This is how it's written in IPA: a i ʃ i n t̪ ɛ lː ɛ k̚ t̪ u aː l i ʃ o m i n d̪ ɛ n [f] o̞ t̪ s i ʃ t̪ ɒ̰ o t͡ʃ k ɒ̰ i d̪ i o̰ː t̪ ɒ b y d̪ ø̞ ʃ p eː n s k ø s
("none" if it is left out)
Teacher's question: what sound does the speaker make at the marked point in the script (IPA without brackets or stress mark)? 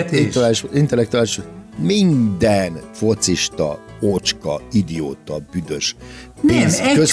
f